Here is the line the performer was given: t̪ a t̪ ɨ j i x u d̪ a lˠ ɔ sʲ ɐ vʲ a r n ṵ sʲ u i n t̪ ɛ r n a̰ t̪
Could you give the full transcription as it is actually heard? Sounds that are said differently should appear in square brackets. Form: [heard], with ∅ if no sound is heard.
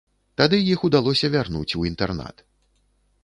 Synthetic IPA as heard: t̪ a [d̪] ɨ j i x u d̪ a lˠ ɔ sʲ ɐ vʲ a r n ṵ [t͡sʲ] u i n t̪ ɛ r n a̰ t̪